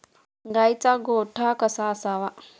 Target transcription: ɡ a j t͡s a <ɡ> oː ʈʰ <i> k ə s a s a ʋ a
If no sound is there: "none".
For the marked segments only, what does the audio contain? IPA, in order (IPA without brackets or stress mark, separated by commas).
ɡ, a